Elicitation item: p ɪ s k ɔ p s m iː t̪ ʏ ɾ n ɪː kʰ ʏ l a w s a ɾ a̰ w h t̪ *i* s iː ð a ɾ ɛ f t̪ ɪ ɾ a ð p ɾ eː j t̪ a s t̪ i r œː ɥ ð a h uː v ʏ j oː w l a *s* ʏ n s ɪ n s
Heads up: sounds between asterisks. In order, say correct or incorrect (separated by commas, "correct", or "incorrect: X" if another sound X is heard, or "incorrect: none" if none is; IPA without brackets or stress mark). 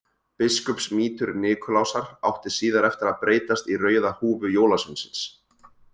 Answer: incorrect: ɪ, correct